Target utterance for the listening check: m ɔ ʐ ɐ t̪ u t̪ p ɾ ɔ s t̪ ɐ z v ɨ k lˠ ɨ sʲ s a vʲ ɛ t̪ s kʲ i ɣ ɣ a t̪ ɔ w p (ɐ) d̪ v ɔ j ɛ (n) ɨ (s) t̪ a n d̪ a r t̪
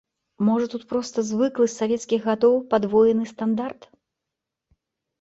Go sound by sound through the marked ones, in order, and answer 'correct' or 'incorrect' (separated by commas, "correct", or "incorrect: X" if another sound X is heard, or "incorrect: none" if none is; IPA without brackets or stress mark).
incorrect: a, correct, correct